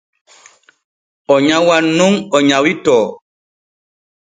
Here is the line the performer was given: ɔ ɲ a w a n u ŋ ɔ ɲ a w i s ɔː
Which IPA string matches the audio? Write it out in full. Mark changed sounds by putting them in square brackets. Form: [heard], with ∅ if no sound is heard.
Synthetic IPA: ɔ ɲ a w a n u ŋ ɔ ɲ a w i [t] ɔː